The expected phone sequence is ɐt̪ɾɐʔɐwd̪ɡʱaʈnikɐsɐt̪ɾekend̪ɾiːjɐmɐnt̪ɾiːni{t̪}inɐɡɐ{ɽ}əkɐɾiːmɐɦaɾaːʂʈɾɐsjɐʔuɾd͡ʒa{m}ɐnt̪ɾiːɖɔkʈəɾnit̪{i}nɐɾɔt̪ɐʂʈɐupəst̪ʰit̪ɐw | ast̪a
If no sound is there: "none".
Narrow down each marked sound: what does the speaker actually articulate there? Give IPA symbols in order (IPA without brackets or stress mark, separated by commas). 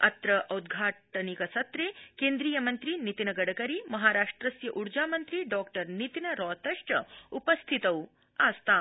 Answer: t̪, ɽ, m, i